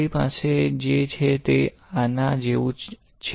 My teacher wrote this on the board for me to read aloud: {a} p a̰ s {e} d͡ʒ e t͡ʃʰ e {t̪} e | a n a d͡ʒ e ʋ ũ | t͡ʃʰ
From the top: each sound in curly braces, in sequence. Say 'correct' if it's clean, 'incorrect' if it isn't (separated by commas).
incorrect, correct, correct